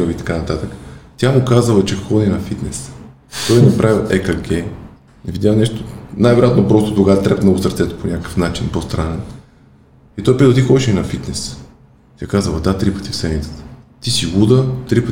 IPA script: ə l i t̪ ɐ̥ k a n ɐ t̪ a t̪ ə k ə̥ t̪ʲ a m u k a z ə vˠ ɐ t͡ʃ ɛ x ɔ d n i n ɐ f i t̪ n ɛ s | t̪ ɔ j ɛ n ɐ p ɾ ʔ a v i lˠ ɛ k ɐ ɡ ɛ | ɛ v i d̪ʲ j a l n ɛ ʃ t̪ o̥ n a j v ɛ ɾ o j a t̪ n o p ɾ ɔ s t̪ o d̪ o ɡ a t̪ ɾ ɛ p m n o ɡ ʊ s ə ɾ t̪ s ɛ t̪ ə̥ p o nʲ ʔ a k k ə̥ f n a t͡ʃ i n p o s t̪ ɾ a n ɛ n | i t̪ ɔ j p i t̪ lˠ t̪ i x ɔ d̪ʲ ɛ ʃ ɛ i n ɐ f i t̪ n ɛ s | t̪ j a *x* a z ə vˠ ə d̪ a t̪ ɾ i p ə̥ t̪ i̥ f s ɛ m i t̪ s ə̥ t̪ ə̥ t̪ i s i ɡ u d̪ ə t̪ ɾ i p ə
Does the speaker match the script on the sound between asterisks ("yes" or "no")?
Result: no